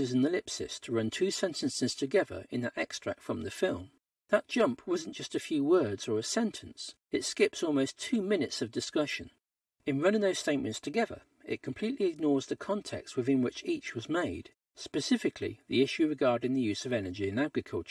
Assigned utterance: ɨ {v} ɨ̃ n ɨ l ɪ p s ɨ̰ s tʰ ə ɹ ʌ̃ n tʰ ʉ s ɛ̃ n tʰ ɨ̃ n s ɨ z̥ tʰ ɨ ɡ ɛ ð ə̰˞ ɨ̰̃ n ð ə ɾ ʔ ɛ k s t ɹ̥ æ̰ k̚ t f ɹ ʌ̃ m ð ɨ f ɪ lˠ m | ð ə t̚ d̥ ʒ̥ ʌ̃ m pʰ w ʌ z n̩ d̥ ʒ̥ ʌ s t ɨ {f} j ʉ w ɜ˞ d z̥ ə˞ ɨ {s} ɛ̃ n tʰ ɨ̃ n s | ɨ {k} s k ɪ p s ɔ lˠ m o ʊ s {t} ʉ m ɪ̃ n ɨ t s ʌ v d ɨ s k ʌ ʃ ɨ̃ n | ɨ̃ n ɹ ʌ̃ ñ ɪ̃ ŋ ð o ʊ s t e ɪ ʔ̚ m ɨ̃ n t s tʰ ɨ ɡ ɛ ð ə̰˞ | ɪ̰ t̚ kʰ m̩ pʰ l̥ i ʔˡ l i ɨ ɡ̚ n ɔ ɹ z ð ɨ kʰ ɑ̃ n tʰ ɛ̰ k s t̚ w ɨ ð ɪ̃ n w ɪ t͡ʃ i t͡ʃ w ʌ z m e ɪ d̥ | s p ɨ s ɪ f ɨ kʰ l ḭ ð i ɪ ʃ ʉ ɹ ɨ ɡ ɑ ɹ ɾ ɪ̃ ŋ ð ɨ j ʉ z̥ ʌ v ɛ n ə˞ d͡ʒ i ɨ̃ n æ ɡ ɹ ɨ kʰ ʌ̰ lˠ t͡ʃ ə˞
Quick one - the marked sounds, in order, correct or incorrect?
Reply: incorrect, correct, correct, incorrect, incorrect

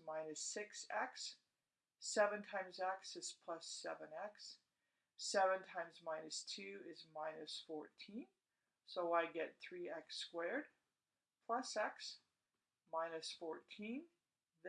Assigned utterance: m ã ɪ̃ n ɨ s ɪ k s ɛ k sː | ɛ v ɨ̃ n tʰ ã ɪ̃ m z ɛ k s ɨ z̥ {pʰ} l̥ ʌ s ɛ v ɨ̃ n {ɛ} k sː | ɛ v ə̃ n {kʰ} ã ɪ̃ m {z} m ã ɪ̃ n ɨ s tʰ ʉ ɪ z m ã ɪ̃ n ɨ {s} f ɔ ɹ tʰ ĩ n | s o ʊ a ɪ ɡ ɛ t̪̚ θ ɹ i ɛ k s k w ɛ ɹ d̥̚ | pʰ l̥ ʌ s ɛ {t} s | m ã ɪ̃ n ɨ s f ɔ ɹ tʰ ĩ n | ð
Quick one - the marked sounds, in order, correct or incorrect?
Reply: correct, correct, incorrect, correct, correct, incorrect

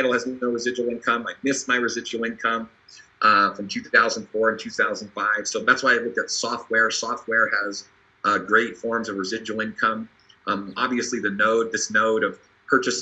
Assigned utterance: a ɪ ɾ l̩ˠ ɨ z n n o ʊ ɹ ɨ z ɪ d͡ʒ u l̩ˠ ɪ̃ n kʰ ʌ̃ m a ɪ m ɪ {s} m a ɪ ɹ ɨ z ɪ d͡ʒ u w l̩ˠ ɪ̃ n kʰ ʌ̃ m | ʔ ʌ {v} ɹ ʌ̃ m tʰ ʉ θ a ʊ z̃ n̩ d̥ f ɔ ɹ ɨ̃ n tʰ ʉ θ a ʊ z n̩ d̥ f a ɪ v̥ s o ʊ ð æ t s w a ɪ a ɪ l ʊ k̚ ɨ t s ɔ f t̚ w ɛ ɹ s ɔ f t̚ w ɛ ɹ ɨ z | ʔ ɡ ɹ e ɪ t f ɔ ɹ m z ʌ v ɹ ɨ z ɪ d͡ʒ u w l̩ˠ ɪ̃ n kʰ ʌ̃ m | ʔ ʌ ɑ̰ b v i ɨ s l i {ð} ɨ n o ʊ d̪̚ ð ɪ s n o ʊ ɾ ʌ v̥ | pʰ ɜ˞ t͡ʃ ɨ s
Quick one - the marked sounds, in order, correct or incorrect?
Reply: correct, incorrect, correct

